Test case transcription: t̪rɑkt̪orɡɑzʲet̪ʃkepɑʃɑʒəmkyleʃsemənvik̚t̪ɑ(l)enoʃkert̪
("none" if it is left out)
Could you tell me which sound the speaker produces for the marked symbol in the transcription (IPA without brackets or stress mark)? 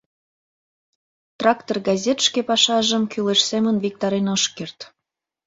ɾ